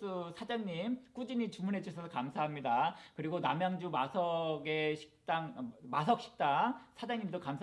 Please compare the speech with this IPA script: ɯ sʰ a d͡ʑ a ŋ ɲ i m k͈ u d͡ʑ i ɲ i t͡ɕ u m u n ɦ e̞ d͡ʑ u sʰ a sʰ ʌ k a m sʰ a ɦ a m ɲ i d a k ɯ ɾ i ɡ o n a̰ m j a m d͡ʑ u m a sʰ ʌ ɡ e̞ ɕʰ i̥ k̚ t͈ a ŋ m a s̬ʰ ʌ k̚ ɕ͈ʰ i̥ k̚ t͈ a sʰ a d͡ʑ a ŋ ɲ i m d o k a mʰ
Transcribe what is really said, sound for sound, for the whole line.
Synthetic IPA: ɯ sʰ a d͡ʑ a ŋ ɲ i m k͈ u d͡ʑ i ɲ i t͡ɕ u m u n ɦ e̞ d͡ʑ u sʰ ʌ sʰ ʌ k a m sʰ a ɦ a m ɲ i d a k ɯ ɾ i ɡ o n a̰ m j a ŋ d͡ʑ u m a sʰ ʌ ɡ e̞ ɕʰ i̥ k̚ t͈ a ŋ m a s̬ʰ ʌ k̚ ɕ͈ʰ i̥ k̚ t͈ a sʰ a d͡ʑ a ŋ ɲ i m d o k a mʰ